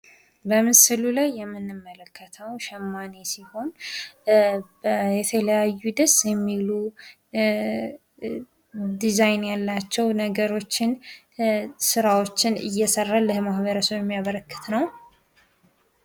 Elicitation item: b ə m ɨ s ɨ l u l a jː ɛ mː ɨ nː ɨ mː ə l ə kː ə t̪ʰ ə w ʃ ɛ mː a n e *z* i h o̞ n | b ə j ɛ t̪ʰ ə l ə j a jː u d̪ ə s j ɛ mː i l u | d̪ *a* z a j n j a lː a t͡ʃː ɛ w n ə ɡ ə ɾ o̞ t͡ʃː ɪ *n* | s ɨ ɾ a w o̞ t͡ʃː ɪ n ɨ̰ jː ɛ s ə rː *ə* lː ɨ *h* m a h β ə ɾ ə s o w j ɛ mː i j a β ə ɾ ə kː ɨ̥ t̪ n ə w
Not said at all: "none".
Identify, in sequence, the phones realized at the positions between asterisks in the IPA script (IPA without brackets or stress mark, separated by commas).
s, i, n, a, h